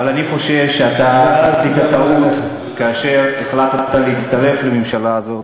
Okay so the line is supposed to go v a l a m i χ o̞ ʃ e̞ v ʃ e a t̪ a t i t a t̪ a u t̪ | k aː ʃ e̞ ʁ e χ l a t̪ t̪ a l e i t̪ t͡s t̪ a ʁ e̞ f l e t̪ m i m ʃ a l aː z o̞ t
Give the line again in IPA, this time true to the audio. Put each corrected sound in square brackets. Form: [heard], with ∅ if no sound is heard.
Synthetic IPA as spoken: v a l a [n] i χ o̞ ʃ e̞ v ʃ e a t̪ a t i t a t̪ a u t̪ | k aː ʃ e̞ ʁ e χ l a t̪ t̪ a l e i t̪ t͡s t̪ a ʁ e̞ f l e [∅] m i m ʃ a l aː z o̞ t

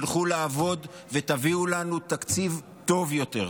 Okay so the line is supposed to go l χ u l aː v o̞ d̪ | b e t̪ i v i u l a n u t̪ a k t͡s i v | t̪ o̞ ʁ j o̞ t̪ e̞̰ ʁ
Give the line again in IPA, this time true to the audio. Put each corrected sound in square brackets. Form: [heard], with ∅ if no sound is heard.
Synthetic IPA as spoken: l χ u l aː v o̞ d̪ | [v] e t̪ [a] v i u l a n u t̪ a k t͡s i v | t̪ o̞ [v] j o̞ t̪ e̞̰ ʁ

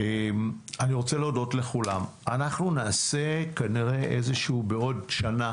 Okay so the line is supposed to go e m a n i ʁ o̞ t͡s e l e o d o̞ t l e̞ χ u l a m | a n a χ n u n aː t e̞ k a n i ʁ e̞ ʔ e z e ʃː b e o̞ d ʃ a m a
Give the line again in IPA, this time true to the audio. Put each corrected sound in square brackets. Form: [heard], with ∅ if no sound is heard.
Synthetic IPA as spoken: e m a n i ʁ o̞ t͡s e l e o d o̞ t l e̞ χ u l a m | a n a χ n u n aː [s] e̞ k a n i ʁ e̞ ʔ e z e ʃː b e o̞ d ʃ a [n] a

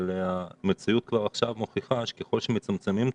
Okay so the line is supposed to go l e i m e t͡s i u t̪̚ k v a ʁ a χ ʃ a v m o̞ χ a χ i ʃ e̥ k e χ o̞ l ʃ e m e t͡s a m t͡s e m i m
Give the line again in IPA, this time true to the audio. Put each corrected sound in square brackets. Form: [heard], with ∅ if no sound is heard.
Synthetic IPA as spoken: l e [a] m e t͡s i u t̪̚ k v a ʁ a χ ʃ a v m o̞ χ [i] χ [a] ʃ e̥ k e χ o̞ l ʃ e m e t͡s a m t͡s e m i m

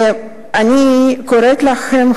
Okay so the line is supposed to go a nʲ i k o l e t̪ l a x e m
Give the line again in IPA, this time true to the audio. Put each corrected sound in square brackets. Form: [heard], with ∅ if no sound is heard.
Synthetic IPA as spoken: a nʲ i k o [ɾ] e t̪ l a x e m

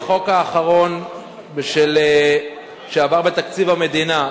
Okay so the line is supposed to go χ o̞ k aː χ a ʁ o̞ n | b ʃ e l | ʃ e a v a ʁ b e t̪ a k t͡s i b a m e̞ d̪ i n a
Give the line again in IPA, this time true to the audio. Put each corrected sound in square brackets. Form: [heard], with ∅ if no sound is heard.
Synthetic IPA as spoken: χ o̞ k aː χ a ʁ o̞ n | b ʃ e l | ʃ e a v a ʁ b e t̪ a k t͡s i [v] a m e̞ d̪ i n a

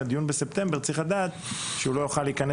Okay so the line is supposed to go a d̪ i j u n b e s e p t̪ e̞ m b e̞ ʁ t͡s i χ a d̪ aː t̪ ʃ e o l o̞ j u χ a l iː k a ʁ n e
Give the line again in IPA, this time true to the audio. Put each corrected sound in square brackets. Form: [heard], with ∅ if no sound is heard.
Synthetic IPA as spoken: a d̪ i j u n b e s e p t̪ e̞ m b e̞ ʁ t͡s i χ a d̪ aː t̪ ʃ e [u] l o̞ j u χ a l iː k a [∅] n e

